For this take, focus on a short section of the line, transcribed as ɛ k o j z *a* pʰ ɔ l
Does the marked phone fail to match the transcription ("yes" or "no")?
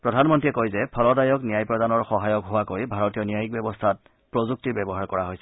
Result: yes